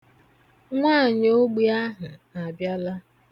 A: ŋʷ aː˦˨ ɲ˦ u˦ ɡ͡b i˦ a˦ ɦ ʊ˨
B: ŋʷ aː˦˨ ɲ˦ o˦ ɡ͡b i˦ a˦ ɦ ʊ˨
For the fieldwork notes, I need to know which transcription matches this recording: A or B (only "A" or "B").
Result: B